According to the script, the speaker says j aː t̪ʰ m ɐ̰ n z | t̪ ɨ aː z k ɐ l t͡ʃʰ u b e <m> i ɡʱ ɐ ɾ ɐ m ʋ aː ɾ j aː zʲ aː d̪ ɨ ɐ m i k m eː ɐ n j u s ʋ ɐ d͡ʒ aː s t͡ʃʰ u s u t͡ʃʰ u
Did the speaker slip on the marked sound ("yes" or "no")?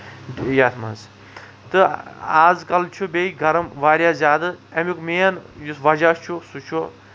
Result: yes